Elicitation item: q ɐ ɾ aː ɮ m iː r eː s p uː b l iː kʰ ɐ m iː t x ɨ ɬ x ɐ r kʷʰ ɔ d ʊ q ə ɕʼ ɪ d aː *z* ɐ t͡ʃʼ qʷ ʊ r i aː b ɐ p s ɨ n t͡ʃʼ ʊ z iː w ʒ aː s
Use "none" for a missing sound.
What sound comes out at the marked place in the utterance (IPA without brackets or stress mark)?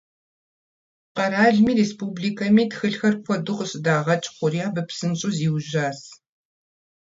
ʁ